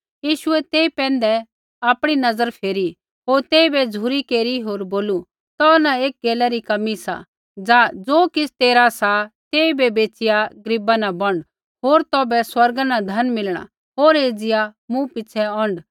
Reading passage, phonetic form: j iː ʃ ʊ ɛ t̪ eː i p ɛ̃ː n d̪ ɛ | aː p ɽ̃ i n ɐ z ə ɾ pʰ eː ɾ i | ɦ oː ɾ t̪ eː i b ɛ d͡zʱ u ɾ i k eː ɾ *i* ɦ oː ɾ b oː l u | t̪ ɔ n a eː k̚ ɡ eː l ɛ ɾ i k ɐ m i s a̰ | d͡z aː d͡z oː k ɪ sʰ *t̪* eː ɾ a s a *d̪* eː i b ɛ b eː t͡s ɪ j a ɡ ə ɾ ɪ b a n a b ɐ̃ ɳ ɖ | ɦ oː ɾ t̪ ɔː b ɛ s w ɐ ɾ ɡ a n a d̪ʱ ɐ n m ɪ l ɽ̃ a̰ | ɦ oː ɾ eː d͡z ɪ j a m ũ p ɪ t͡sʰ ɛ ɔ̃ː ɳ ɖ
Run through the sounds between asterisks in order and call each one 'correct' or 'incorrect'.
correct, correct, incorrect

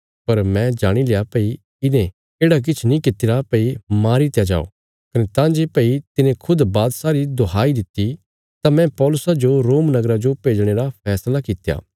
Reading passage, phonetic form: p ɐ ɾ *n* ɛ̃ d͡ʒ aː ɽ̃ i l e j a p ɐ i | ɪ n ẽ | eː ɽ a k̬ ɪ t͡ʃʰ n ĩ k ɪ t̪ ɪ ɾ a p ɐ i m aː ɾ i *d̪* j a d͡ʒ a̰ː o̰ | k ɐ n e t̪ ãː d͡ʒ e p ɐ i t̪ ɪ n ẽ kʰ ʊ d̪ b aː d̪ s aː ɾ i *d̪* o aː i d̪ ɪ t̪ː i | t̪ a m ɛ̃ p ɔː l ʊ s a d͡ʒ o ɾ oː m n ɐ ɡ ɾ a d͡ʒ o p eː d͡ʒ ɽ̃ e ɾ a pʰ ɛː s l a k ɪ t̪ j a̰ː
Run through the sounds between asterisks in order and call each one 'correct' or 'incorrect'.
incorrect, incorrect, correct

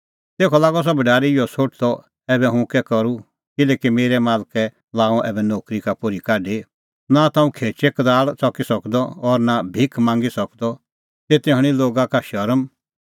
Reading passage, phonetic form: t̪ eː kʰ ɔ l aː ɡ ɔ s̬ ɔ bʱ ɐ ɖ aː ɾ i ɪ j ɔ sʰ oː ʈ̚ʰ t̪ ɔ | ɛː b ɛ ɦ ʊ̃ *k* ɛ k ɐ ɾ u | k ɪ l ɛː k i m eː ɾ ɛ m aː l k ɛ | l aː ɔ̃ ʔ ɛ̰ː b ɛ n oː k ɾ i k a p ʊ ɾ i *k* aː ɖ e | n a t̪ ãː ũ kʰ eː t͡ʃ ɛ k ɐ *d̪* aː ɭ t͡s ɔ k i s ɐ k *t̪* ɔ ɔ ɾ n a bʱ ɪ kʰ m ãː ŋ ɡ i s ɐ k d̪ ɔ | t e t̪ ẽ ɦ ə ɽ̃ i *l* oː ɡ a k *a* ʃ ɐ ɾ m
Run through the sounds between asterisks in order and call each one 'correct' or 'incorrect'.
correct, correct, correct, incorrect, correct, correct

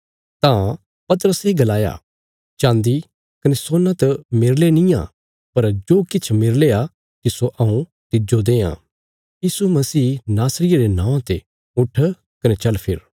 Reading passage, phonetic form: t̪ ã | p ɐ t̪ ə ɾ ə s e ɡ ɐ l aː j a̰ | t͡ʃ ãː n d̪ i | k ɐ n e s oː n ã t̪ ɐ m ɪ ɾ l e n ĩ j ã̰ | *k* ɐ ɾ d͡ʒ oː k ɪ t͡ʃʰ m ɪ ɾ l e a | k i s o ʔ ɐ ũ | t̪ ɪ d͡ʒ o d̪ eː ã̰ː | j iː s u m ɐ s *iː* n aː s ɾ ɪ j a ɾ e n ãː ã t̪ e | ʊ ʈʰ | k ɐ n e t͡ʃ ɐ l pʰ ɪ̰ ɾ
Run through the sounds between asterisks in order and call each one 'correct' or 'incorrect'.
incorrect, correct

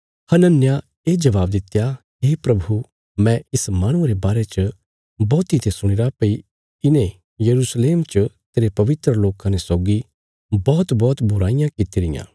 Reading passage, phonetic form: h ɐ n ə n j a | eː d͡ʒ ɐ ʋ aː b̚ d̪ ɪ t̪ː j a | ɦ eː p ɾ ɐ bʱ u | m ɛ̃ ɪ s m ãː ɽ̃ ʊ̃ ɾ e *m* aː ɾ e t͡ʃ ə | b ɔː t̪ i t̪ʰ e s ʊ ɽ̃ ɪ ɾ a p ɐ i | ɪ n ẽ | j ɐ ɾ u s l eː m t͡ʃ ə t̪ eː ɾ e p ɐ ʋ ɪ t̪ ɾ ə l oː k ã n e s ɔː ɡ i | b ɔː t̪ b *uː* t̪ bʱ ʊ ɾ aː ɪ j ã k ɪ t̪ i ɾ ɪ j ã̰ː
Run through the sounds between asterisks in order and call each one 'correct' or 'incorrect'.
incorrect, incorrect

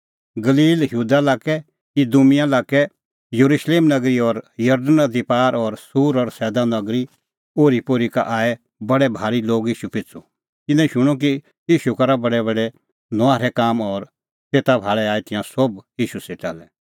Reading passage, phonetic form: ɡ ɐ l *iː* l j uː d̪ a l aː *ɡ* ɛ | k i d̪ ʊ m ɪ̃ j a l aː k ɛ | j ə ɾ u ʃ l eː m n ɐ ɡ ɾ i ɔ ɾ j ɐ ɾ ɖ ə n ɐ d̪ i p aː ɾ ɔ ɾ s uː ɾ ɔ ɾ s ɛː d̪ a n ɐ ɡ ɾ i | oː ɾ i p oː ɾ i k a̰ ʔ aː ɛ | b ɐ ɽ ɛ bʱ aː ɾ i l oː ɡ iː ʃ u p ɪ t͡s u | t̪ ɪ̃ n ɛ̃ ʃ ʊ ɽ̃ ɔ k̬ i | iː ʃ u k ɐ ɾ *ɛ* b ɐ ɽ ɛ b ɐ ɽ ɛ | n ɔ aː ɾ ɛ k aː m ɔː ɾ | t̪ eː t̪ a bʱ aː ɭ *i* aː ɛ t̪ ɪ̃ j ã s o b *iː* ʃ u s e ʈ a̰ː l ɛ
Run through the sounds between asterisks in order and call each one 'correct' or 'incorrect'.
correct, incorrect, incorrect, incorrect, correct

